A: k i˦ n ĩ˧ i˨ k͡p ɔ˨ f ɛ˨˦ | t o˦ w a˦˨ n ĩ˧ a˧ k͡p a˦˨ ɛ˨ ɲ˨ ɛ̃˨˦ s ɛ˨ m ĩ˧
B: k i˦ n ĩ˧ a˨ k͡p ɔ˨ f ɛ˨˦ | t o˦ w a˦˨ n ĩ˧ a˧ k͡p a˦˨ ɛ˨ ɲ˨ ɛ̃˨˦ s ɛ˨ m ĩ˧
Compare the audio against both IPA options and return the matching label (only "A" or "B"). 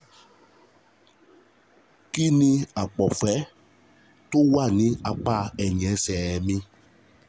B